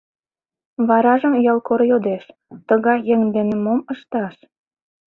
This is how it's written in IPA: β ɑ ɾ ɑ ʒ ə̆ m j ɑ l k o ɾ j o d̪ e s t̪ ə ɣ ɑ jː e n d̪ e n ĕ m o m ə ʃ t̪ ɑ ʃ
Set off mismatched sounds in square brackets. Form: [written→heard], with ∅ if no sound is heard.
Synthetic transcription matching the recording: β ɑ ɾ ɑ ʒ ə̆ m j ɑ l k o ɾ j o d̪ e [s→ʃ] t̪ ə ɣ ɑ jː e [n→ŋ] d̪ e n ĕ m o m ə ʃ t̪ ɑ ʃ